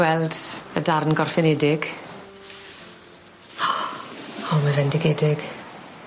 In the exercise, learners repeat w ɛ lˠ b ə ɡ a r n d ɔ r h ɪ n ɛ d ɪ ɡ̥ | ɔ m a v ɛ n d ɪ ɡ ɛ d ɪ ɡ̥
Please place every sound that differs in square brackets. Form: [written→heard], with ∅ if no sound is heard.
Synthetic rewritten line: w ɛ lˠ [b→d] ə [ɡ→d] a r n [d→ɡ] ɔ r [h→f] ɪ n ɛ d ɪ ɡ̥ | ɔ m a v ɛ n d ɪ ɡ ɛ d ɪ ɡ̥